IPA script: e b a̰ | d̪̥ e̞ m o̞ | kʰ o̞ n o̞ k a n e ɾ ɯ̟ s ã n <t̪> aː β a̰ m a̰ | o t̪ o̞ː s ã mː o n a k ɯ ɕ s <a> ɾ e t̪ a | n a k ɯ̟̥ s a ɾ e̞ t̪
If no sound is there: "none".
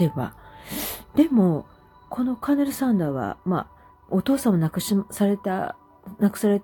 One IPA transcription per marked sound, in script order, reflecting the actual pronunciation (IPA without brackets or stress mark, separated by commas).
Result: d̪, a